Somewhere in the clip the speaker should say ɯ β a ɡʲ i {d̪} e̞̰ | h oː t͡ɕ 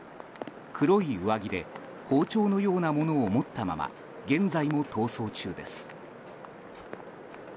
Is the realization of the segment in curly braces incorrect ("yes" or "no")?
no